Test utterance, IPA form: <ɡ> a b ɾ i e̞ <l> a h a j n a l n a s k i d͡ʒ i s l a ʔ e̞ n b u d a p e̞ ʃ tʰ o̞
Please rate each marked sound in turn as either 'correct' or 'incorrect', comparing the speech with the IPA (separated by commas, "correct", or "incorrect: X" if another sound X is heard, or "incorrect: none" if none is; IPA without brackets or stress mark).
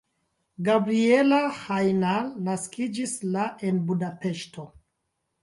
correct, correct